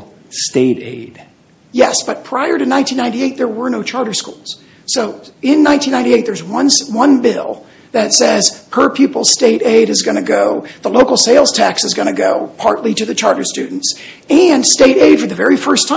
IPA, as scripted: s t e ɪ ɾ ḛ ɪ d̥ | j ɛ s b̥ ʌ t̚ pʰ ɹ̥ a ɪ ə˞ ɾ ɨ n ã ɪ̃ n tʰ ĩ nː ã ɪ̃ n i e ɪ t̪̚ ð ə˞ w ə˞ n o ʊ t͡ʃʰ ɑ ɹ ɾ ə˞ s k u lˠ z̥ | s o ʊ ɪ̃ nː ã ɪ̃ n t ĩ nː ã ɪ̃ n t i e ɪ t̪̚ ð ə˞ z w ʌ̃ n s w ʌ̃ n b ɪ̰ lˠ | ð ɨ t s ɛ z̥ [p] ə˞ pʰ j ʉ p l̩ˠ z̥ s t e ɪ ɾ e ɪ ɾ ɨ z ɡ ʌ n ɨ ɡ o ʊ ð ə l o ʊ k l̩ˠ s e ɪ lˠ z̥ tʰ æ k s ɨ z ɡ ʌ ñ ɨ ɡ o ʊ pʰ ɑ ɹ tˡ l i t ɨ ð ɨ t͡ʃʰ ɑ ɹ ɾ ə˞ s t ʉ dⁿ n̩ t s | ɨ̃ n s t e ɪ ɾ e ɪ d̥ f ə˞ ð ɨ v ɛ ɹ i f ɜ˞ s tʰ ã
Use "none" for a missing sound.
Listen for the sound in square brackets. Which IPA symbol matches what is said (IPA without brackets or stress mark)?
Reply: pʰ